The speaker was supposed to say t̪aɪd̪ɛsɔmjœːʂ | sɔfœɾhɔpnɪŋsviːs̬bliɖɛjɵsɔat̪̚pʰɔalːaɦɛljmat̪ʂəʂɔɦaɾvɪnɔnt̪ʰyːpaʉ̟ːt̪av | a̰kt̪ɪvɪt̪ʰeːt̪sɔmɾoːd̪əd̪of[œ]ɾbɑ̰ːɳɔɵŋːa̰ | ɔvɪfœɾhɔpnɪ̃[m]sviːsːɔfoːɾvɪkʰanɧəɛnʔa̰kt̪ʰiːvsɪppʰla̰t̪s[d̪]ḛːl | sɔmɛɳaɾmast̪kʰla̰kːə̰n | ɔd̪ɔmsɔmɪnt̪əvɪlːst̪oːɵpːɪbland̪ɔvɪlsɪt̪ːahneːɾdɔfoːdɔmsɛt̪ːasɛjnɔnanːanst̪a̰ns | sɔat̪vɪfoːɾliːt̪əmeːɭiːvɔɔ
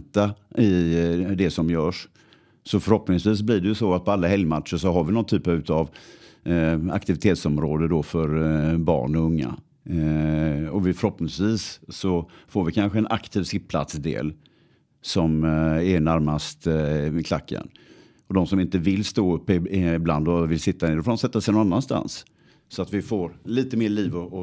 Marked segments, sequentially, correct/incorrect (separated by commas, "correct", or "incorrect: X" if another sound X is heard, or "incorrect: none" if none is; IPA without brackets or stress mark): correct, incorrect: ŋ, correct